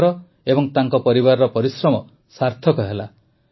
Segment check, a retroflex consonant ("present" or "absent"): absent